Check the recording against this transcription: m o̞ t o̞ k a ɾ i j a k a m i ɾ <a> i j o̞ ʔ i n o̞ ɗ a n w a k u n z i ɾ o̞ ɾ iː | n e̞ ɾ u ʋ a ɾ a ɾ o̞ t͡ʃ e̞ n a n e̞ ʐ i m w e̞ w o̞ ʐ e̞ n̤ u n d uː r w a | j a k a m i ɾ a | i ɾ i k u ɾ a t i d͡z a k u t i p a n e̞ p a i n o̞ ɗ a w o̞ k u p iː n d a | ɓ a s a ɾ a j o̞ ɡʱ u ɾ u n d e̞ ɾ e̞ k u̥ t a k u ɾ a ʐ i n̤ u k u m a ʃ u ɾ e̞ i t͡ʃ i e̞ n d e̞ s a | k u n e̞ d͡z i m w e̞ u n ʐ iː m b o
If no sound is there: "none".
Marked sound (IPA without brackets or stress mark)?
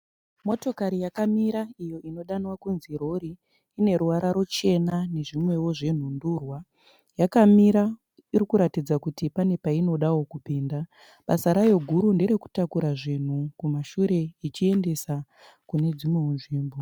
a